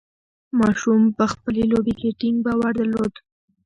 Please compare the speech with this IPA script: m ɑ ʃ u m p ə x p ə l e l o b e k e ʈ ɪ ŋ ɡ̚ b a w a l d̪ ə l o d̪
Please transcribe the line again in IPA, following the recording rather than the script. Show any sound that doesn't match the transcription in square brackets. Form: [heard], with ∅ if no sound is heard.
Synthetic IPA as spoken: m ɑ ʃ u m p ə x p ə l e l o b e k e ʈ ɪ ŋ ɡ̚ b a w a [ɾ] d̪ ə l o d̪